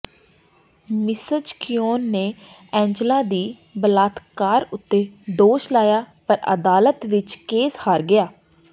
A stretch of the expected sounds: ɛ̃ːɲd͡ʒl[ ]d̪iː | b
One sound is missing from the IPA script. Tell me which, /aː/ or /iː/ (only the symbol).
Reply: aː